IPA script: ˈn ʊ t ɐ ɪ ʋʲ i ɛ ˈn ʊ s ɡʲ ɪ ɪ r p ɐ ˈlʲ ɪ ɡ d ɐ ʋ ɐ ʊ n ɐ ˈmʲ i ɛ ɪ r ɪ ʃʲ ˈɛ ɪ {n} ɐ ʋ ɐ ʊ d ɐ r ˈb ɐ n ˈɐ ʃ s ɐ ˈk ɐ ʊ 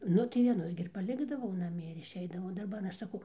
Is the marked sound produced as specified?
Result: no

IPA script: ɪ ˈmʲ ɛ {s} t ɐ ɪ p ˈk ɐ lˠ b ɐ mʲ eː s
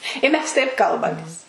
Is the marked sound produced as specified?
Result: yes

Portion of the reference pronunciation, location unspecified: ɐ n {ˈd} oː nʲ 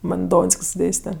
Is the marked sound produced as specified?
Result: yes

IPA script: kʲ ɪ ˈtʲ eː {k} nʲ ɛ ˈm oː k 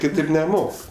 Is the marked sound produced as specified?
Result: no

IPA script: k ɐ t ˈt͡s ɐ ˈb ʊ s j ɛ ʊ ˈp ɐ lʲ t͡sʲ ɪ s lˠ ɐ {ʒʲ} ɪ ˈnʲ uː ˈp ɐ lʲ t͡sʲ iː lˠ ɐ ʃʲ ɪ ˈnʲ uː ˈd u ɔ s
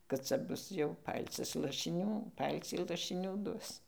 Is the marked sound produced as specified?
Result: no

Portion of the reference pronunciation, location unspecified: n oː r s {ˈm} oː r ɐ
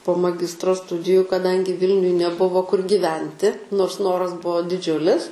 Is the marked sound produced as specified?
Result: no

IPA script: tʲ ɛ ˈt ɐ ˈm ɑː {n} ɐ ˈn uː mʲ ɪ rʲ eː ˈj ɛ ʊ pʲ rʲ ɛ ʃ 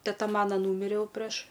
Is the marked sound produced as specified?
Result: yes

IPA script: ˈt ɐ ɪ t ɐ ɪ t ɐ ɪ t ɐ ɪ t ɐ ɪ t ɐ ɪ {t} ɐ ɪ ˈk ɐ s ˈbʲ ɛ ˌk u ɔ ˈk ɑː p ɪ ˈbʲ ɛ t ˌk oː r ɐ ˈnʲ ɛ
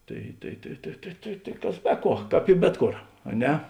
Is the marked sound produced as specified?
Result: yes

